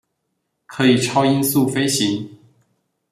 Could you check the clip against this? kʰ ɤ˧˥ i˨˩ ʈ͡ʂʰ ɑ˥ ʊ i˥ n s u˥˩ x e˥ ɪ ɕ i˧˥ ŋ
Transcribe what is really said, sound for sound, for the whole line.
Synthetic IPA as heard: kʰ ɤ˧˥ i˨˩ ʈ͡ʂʰ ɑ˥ ʊ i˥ n s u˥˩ f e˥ ɪ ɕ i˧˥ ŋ